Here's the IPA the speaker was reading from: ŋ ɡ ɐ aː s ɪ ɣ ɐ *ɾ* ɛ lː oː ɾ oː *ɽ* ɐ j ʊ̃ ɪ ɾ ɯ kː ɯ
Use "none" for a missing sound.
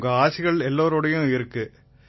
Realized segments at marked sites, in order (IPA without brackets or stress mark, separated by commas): ɭ, ɽ